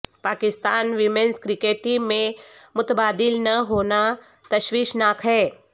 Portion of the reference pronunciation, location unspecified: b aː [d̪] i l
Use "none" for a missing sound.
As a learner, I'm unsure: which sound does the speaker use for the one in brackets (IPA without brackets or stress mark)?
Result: d̪